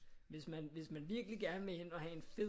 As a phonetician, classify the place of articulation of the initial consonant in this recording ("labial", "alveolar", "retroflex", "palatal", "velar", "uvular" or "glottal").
labial